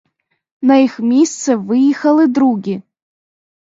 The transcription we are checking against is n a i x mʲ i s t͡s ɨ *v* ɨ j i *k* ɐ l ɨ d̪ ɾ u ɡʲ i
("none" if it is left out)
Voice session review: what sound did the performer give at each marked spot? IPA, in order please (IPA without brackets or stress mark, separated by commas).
v, x